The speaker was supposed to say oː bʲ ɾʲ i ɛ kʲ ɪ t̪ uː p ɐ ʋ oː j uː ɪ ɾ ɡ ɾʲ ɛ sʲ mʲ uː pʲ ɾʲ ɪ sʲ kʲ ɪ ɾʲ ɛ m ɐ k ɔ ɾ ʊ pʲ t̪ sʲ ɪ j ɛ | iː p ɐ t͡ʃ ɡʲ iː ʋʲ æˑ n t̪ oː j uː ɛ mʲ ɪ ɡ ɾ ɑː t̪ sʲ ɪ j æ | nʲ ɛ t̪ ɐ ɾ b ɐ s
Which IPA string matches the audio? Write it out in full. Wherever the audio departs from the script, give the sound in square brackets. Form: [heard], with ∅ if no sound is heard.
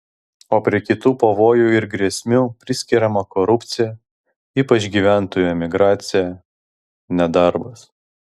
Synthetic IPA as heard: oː [pʲ] ɾʲ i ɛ kʲ ɪ t̪ uː p ɐ ʋ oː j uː ɪ ɾ ɡ ɾʲ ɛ sʲ mʲ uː pʲ ɾʲ ɪ sʲ kʲ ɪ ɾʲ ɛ m ɐ k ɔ ɾ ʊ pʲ t̪ sʲ ɪ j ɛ | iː p ɐ t͡ʃ ɡʲ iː ʋʲ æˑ n t̪ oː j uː ɛ mʲ ɪ ɡ ɾ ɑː t̪ sʲ ɪ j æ | nʲ ɛ [d̪] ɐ ɾ b ɐ s